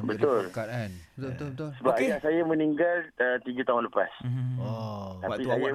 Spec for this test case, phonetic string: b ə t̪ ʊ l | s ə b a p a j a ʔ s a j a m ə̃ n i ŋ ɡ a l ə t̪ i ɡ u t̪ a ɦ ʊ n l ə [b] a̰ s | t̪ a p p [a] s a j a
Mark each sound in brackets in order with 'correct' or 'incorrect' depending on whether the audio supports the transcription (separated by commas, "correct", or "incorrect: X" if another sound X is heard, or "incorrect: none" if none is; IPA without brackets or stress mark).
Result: incorrect: p, incorrect: i